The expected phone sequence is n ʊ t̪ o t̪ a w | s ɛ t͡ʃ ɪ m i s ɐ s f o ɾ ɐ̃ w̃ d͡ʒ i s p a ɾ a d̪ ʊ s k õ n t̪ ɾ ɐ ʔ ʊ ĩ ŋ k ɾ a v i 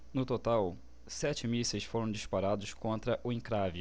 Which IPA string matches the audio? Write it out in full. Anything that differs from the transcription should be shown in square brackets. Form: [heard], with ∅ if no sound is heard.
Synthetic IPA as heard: n ʊ t̪ o t̪ a w | s ɛ t͡ʃ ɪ m i s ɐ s f o ɾ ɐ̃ w̃ d͡ʒ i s p a ɾ a d̪ ʊ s k õ n t̪ ɾ ɐ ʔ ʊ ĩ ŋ k ɾ a v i